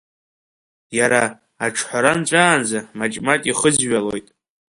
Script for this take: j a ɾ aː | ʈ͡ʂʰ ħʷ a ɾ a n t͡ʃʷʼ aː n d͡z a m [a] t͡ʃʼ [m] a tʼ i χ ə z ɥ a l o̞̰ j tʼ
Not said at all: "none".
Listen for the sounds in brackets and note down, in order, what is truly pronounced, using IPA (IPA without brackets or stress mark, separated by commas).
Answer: a, m